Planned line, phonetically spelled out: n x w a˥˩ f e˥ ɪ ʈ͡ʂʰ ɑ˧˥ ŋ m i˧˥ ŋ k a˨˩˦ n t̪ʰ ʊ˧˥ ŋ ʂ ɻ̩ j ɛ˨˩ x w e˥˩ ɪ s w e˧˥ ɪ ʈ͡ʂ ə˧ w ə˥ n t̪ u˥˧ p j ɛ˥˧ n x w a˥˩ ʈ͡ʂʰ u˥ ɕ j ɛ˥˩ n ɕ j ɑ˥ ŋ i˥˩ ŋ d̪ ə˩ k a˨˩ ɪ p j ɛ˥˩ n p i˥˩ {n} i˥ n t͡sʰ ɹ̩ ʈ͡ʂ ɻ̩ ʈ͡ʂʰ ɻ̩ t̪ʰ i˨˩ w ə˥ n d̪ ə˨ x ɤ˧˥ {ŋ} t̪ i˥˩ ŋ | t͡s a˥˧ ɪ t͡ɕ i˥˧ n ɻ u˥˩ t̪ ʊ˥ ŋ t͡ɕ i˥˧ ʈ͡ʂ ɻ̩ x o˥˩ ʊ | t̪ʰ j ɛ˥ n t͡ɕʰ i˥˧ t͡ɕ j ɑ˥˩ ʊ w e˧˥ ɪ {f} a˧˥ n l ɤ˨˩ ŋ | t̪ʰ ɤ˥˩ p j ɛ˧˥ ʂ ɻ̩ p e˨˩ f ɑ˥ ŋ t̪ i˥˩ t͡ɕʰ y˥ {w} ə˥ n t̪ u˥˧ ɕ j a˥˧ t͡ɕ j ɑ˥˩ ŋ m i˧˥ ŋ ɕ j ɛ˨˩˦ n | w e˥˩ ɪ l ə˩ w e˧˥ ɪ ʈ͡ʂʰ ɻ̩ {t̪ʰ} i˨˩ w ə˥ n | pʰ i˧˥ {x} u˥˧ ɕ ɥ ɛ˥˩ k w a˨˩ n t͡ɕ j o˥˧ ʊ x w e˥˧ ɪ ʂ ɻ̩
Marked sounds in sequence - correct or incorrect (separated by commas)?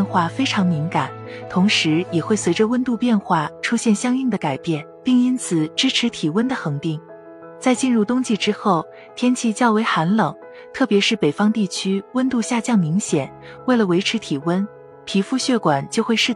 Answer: incorrect, correct, incorrect, correct, correct, incorrect